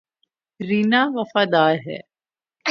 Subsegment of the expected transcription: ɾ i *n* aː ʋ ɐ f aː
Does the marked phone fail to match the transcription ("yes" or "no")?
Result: no